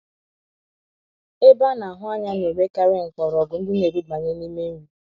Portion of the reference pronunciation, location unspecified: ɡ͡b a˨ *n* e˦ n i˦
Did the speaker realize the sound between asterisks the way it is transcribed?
no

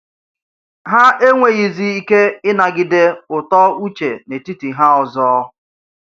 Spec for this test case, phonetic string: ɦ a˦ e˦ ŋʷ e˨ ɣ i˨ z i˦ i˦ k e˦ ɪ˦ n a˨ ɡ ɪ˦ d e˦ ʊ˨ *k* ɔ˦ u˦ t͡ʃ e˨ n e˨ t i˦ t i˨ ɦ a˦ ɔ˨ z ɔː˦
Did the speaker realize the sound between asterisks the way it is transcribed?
no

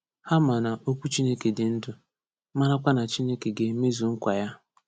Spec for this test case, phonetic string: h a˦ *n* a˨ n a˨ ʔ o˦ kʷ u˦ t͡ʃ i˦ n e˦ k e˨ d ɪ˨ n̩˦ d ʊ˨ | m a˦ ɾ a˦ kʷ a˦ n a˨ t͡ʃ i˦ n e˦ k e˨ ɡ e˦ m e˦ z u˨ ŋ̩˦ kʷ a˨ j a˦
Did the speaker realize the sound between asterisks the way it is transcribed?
no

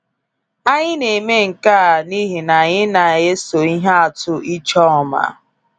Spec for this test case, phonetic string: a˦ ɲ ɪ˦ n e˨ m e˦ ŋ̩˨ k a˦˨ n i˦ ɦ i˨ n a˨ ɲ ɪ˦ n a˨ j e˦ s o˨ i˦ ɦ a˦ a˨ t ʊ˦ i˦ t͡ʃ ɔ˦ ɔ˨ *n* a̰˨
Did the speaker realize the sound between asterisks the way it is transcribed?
no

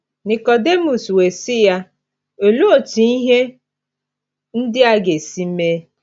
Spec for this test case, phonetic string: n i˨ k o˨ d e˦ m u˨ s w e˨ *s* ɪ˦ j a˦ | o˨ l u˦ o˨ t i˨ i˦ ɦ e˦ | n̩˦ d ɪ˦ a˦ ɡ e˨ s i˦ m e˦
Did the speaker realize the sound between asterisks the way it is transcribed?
yes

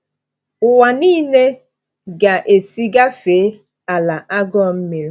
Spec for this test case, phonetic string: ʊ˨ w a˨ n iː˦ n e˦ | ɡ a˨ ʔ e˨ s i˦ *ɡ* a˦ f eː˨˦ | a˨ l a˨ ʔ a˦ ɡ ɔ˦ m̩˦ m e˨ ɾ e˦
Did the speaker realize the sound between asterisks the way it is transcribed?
yes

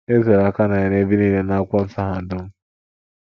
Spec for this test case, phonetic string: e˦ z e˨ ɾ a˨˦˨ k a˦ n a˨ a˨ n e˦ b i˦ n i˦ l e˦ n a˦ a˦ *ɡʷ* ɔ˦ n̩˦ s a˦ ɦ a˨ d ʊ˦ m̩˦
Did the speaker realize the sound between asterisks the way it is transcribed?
no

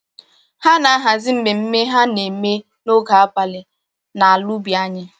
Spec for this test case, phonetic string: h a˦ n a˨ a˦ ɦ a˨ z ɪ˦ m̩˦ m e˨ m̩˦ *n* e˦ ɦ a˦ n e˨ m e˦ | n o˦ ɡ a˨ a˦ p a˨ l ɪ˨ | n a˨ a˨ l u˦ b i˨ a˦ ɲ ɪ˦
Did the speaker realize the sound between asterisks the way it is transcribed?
no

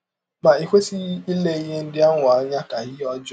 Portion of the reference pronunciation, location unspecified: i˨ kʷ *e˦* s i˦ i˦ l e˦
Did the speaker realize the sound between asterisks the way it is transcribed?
yes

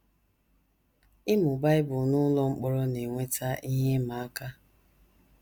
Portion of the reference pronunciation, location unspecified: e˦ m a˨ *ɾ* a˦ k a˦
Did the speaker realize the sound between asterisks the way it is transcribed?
no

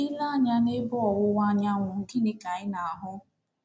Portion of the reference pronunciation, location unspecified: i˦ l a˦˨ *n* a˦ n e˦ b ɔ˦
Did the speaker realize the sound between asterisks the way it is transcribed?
no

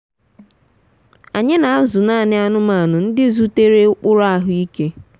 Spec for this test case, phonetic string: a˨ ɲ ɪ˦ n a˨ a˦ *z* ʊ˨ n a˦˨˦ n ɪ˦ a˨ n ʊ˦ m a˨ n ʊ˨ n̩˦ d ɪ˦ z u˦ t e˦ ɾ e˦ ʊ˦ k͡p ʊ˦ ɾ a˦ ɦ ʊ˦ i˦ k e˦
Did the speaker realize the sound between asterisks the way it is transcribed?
yes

